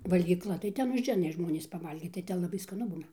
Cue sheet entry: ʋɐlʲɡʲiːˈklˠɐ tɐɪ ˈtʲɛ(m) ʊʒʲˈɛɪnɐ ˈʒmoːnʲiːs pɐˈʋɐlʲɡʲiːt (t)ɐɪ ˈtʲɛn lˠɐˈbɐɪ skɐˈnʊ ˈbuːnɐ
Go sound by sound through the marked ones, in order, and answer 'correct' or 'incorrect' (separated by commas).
incorrect, correct